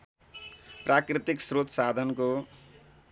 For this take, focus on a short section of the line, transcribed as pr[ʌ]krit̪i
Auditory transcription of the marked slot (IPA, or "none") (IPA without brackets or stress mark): a